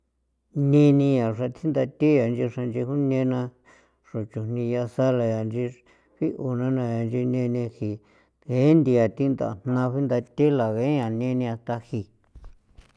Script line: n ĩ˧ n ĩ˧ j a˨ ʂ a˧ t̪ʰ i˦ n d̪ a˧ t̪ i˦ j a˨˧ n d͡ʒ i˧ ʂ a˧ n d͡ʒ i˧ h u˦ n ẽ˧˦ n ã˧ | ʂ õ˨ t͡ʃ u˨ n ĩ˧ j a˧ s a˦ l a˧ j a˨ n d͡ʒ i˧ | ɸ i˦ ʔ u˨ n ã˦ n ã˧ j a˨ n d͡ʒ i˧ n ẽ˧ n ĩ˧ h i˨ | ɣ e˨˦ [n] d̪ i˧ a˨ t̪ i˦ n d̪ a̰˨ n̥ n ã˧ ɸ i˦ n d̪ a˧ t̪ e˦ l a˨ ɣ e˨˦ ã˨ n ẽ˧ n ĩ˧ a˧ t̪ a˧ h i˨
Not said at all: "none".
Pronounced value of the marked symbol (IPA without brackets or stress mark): n